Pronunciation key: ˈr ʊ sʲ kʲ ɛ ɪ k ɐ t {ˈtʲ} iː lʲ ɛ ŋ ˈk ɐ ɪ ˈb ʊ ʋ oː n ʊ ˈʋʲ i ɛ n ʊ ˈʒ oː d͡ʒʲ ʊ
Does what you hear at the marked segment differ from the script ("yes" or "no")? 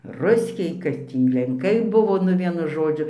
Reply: no